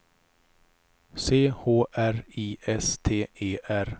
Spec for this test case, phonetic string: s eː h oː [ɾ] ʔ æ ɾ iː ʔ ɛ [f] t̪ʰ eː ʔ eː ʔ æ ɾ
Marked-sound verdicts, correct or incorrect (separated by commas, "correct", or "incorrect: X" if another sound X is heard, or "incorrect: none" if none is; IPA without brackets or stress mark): incorrect: none, incorrect: s